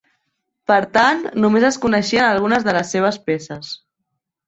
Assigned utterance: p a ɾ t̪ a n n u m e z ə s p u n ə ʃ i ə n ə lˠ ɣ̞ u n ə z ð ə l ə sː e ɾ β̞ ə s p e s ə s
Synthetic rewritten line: p ə ɾ t̪ a n n u m e z ə s k u n ə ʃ i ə n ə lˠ ɣ̞ u n ə z ð ə l ə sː e β̞ ə s p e s ə s